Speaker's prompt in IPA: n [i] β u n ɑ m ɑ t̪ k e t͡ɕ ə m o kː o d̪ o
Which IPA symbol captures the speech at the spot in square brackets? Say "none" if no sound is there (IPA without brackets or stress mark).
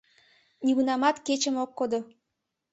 i